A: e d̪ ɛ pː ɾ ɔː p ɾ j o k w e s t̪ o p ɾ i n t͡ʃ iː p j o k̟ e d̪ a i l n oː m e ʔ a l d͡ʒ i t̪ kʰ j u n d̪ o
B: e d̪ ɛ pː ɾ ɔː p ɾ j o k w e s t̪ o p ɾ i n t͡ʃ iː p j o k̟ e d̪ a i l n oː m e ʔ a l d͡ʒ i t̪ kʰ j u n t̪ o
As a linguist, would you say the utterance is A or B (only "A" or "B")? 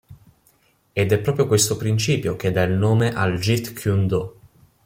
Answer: A